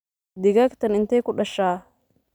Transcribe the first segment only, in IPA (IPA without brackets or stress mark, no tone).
d̪